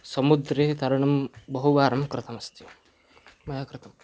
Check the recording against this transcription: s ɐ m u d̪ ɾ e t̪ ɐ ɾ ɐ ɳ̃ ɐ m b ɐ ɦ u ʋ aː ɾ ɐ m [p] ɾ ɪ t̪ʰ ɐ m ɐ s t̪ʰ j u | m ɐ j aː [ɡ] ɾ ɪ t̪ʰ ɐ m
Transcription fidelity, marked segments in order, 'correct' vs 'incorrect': incorrect, incorrect

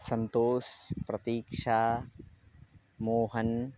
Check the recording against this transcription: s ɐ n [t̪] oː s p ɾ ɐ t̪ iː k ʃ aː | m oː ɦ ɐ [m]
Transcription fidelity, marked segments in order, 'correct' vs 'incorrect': correct, incorrect

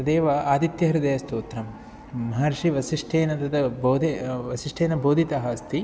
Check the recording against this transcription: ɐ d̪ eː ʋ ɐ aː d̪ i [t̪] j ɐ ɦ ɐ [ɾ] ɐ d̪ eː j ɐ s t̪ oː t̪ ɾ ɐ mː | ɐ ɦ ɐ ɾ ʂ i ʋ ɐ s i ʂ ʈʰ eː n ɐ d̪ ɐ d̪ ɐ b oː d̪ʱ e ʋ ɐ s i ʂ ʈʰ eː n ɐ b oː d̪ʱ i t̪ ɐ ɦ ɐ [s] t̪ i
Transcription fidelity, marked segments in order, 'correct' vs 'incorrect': correct, correct, correct

